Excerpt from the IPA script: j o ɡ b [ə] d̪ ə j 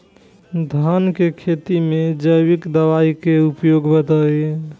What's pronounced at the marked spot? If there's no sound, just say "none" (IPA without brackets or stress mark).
ə